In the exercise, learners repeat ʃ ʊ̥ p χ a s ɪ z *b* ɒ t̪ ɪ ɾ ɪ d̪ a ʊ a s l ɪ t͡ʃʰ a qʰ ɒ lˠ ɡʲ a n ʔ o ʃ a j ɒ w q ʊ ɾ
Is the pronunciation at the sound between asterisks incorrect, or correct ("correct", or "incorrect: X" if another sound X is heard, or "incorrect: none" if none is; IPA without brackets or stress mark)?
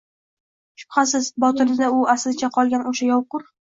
correct